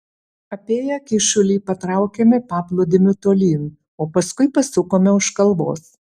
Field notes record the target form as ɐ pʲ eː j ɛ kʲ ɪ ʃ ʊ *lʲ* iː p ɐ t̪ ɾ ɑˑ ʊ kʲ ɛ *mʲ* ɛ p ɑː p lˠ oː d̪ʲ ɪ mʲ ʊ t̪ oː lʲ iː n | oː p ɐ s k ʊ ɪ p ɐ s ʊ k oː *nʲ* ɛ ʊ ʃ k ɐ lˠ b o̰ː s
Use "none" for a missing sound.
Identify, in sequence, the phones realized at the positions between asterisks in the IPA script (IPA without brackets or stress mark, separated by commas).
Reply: lʲ, mʲ, mʲ